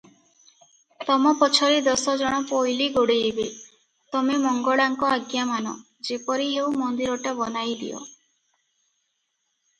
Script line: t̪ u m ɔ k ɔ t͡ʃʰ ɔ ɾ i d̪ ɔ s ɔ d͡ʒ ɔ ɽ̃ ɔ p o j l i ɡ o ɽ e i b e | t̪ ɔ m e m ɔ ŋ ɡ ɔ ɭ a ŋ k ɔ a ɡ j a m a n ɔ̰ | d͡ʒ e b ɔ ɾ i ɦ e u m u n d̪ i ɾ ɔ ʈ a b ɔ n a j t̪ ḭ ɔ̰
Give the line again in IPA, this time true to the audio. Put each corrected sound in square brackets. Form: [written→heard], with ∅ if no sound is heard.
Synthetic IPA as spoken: t̪ [u→ɔ] m ɔ [k→p] ɔ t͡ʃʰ ɔ ɾ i d̪ ɔ s ɔ d͡ʒ ɔ ɽ̃ ɔ p o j l i ɡ o ɽ e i b e | t̪ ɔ m e m ɔ ŋ ɡ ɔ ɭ a ŋ k ɔ a ɡ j a m a n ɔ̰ | d͡ʒ e [b→p] ɔ ɾ i ɦ e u m [u→ɔ] n d̪ i ɾ ɔ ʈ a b ɔ n a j [t̪→d̪] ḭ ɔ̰